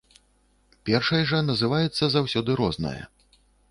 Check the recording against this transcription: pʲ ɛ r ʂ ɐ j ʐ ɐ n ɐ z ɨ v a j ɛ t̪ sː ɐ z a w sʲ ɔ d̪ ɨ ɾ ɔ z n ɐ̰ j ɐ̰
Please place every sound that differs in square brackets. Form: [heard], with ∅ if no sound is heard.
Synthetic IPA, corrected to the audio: pʲ ɛ r ʂ ɐ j ʐ ɐ n ɐ z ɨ v a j ɛ t̪ sː ɐ z a w sʲ ɔ d̪ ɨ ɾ ɔ z n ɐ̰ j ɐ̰